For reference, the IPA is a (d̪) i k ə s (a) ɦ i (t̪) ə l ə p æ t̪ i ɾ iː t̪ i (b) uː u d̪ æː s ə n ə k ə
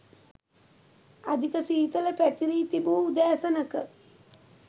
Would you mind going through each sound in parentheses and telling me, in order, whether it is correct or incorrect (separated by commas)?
correct, incorrect, correct, correct